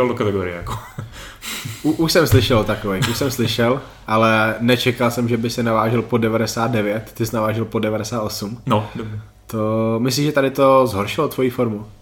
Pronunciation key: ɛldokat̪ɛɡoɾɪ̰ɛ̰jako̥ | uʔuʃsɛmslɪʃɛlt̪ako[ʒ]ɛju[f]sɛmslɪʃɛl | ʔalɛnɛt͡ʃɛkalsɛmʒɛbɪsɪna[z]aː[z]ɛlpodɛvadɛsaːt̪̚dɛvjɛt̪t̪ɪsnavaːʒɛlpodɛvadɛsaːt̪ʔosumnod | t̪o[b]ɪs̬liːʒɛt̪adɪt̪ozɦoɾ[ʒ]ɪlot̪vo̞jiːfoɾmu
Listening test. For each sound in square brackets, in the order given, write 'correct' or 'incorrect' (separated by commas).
incorrect, incorrect, incorrect, incorrect, incorrect, incorrect